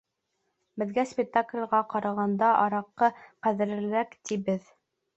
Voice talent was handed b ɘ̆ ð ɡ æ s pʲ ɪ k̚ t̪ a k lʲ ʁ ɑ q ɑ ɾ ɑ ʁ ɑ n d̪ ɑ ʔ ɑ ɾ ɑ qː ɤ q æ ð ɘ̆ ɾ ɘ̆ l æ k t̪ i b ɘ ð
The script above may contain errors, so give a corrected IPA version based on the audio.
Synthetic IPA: b ɘ̆ ð ɡ æ s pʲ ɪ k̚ t̪ a k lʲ ʁ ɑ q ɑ ɾ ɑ ʁ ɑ n d̪ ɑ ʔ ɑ ɾ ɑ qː ɤ q æ ð ɘ̆ ɾ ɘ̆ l æ k t̪ i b ɘ ð